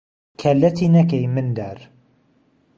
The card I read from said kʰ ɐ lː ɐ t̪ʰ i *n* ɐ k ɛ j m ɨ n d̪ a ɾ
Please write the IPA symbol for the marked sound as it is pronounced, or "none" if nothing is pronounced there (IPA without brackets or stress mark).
n